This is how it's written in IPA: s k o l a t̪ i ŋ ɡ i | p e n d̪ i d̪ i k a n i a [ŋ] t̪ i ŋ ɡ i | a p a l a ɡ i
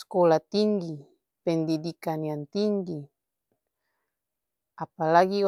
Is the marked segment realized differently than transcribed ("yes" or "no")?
yes